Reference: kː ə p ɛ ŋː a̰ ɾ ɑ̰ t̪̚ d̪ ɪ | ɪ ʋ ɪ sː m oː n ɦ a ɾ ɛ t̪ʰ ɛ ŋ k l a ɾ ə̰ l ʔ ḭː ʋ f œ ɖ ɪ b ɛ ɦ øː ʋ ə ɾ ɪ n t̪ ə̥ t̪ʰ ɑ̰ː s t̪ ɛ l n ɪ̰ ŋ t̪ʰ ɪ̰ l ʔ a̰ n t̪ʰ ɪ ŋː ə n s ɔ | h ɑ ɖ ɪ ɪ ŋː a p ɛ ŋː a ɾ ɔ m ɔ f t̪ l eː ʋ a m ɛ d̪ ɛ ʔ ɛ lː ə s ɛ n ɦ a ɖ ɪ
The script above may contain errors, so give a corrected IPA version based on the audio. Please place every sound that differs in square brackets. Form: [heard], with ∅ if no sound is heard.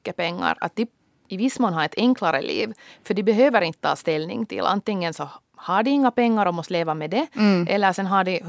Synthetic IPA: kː ə p ɛ ŋː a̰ ɾ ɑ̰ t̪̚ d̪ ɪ | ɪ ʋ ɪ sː m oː n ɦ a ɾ ɛ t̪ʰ ɛ ŋ k l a ɾ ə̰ l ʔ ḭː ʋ f œ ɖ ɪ b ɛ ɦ øː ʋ ə ɾ ɪ n t̪ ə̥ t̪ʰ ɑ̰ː s t̪ ɛ l n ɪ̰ ŋ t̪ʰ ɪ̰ l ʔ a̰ n [t̪] ɪ ŋː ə n s ɔ | h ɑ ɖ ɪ ɪ ŋː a p ɛ ŋː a ɾ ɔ m ɔ [s] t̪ l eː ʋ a m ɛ d̪ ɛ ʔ ɛ lː ə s ɛ n ɦ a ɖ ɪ